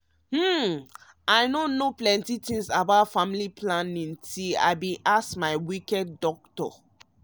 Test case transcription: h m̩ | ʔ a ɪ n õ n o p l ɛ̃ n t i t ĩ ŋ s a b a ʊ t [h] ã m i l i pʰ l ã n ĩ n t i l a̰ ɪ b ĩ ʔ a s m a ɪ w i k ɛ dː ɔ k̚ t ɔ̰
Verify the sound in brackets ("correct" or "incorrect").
incorrect